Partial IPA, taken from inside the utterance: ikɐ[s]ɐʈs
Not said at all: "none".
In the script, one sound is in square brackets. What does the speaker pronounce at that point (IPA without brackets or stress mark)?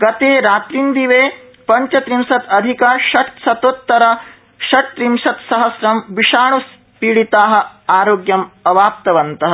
ʃ